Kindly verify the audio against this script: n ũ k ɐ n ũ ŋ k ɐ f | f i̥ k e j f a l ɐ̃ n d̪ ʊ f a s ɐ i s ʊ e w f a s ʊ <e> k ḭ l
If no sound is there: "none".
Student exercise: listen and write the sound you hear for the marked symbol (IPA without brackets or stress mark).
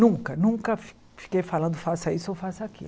a